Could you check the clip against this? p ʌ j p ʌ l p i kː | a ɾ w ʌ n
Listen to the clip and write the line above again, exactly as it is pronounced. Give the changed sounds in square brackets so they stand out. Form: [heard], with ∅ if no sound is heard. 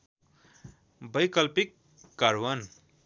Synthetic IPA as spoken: [b] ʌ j [k] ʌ l p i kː | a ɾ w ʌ n